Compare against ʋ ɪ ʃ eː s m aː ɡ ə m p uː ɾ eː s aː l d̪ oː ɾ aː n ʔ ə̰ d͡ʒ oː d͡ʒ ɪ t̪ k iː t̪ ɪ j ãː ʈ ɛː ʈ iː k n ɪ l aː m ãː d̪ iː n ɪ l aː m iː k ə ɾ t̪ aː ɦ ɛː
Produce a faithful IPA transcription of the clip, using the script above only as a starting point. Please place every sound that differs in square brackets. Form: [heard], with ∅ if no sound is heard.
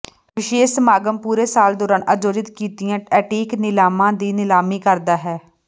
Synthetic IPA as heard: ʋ ɪ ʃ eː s m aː ɡ ə m p uː ɾ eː s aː l d̪ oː ɾ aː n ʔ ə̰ d͡ʒ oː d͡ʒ ɪ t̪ k iː t̪ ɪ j ãː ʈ ɛː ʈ iː k n ɪ l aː m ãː d̪ iː n ɪ l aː m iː k ə ɾ [d̪] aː ɦ ɛː